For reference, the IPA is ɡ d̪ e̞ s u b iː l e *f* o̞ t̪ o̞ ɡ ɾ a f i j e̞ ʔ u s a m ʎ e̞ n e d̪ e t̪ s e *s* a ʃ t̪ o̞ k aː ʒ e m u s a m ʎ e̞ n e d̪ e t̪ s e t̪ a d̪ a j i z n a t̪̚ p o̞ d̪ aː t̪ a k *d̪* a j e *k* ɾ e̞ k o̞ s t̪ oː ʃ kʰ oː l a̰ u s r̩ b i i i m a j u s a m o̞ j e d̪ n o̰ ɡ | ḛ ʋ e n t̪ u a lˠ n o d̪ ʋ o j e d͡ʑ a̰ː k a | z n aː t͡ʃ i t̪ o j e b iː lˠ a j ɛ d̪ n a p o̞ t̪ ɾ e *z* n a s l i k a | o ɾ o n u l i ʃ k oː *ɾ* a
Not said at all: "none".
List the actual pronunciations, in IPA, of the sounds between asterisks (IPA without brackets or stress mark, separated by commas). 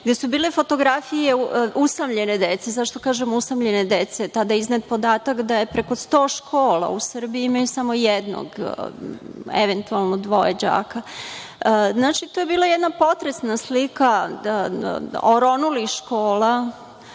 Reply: f, z, d̪, p, s, l